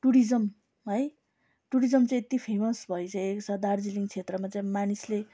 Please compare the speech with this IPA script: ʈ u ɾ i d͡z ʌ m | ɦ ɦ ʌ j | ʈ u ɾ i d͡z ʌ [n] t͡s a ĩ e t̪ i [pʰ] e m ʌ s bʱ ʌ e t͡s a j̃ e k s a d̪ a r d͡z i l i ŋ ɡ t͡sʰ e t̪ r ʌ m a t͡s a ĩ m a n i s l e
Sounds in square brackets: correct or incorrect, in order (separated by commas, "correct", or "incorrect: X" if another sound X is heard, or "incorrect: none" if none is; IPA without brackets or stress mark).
incorrect: m, correct